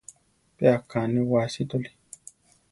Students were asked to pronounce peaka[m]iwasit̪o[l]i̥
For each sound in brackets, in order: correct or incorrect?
incorrect: n, correct

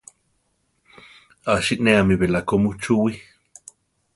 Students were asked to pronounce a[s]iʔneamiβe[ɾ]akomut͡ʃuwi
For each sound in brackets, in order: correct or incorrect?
incorrect: ʃ, incorrect: l

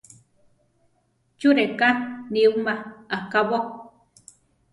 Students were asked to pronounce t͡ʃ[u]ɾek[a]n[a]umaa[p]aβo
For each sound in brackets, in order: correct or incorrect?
correct, correct, incorrect: i, incorrect: k

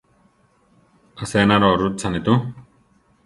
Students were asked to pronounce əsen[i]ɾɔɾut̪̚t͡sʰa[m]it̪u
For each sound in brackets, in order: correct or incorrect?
incorrect: a, incorrect: n

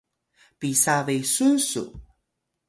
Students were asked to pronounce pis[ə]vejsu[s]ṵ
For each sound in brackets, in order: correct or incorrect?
incorrect: a, correct

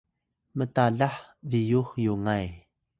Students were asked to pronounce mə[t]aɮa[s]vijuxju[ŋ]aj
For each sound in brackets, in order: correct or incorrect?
correct, incorrect: ħ, correct

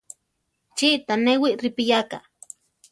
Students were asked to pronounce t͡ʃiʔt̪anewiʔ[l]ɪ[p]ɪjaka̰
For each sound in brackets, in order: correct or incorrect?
incorrect: ɾ, correct

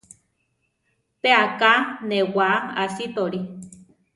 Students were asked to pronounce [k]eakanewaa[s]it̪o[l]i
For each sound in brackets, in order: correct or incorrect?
incorrect: p, correct, incorrect: ɾ

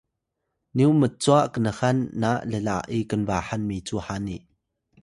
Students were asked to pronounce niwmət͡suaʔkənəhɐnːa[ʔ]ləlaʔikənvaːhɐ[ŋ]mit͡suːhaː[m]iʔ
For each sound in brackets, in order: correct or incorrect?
correct, incorrect: n, incorrect: n

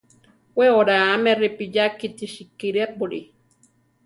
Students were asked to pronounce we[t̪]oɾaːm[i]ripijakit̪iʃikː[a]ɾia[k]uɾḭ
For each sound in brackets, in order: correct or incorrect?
incorrect: none, incorrect: e, incorrect: i, incorrect: p

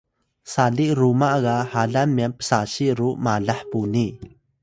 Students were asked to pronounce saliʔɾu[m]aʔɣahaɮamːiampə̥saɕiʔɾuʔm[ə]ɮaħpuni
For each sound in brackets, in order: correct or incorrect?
correct, incorrect: a

